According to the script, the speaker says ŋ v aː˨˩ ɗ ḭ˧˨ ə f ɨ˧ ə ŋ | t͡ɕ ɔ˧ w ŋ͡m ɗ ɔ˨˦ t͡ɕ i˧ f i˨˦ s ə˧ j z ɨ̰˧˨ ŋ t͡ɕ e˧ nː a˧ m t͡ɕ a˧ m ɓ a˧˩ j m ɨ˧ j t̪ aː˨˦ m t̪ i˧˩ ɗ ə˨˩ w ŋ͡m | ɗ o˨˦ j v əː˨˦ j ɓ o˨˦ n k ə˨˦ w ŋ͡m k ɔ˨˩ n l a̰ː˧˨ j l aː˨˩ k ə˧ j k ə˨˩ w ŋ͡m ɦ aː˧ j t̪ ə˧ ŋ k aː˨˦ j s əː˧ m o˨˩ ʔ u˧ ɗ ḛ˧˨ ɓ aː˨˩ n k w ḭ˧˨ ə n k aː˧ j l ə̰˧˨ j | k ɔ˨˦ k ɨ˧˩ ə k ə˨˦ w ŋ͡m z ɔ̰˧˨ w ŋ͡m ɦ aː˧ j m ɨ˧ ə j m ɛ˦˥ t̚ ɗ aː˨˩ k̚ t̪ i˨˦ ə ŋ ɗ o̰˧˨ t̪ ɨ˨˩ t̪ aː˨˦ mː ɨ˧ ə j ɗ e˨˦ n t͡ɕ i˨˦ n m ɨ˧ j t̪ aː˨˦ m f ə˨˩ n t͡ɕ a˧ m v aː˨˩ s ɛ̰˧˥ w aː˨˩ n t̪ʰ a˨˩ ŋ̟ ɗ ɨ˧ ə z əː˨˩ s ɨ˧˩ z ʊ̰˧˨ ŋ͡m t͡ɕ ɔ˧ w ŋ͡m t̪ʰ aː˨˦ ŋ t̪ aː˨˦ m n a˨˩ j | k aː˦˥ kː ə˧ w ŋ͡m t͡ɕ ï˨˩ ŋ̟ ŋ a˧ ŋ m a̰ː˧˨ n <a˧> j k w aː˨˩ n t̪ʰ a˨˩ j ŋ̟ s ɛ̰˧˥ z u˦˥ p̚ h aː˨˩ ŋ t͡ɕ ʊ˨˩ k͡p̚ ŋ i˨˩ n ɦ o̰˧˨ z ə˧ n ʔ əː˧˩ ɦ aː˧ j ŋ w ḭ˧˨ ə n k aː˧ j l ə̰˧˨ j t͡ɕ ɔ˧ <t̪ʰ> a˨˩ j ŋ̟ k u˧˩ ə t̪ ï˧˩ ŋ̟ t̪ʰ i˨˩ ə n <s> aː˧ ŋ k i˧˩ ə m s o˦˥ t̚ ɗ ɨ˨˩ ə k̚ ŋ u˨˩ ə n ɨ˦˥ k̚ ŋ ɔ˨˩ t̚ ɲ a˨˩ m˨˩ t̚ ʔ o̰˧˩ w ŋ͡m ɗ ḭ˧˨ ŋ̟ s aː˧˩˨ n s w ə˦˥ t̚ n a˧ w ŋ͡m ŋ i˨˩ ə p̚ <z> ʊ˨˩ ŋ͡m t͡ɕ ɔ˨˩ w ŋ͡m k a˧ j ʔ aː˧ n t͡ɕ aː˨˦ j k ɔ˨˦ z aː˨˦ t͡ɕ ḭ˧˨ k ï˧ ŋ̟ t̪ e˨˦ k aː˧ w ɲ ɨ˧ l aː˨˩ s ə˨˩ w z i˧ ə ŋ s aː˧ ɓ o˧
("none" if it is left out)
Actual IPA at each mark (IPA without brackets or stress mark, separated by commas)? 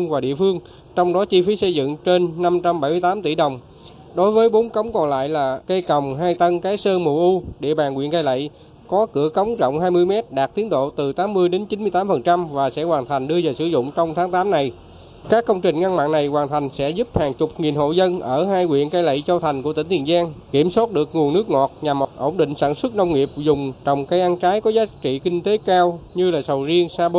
a˨˩, t̪ʰ, z, z